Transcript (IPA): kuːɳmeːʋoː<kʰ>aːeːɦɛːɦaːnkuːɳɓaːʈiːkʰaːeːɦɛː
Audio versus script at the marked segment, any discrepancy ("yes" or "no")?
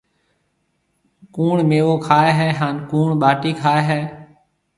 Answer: no